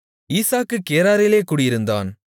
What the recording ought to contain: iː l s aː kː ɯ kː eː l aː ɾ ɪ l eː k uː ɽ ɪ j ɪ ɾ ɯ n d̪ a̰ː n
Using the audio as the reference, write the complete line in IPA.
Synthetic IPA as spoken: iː s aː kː ɯ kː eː ɾ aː ɾ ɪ l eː k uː ɽ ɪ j ɪ ɾ ɯ n d̪ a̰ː n